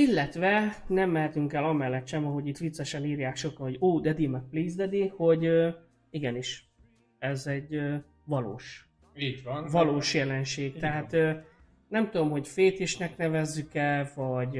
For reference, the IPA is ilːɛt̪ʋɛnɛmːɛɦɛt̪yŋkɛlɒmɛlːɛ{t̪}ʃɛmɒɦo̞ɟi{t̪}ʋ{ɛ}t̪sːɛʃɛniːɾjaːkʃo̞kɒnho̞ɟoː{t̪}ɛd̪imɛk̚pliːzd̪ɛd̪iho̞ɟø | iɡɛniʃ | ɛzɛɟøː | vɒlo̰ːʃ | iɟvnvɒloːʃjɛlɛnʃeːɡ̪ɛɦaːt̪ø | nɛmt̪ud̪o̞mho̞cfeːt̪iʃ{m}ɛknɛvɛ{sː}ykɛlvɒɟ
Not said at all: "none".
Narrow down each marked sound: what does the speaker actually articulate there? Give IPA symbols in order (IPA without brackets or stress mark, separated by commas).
t̪, t̪, i, d̪, n, zː